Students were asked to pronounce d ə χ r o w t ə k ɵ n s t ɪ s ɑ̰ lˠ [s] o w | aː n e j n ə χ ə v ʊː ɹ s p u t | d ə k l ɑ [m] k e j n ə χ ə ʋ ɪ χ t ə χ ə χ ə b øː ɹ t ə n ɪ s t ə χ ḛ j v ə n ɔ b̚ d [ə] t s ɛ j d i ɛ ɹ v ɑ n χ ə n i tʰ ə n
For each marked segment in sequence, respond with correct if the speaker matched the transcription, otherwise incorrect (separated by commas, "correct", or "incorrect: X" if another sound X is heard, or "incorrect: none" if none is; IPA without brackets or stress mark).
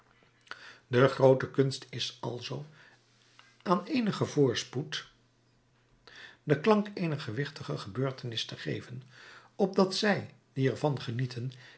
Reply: incorrect: z, incorrect: ŋ, incorrect: ɑ